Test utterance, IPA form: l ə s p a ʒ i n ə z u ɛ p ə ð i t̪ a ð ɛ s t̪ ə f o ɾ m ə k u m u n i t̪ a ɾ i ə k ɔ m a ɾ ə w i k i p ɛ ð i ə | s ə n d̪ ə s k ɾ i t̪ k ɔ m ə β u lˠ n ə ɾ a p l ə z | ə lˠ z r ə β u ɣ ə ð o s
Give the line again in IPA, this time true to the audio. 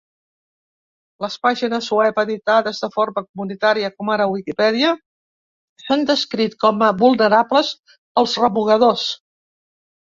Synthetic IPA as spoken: l ə s p a ʒ i n ə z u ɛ p ə ð i t̪ a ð ɛ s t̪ ə f o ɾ m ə k u m u n i t̪ a ɾ i ə k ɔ m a ɾ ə w i k i p ɛ ð i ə | s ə n d̪ ə s k ɾ i t̪ k ɔ m ə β u lˠ n ə ɾ a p l ə z | ə lˠ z r ə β u ɣ ə ð o s